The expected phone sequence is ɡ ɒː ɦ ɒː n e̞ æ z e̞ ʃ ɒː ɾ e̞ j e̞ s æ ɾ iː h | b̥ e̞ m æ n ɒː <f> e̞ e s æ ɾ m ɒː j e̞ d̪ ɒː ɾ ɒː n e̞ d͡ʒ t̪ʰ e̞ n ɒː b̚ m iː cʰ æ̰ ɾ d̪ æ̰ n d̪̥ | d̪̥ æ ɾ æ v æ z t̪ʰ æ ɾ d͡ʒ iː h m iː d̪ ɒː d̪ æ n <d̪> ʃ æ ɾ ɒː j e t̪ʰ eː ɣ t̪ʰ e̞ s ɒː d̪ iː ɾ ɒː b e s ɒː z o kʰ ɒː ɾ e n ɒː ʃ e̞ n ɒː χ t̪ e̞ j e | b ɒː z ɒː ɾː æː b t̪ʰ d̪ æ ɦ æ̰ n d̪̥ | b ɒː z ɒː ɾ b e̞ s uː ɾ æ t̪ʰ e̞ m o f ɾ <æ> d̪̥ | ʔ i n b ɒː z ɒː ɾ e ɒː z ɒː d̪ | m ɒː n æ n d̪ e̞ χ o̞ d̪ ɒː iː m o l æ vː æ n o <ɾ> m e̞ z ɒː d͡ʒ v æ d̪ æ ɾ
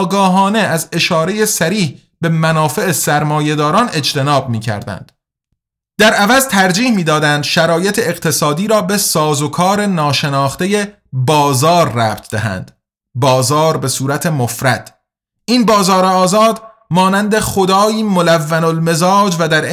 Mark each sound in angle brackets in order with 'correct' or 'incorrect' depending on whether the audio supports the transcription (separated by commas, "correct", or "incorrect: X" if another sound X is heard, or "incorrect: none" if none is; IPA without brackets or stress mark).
correct, correct, correct, incorrect: l